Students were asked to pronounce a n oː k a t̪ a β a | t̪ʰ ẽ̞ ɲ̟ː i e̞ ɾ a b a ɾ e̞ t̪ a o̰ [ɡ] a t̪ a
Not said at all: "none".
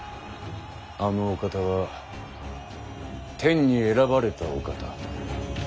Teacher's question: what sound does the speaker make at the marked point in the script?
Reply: k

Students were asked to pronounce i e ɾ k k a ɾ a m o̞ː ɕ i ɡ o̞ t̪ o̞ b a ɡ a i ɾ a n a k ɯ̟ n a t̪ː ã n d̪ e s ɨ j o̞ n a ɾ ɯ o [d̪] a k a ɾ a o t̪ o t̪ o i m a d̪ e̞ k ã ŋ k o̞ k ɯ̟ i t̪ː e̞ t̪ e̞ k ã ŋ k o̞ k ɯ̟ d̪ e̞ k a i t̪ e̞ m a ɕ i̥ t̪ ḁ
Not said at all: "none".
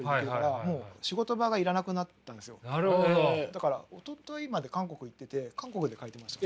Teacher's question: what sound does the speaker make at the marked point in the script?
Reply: d̪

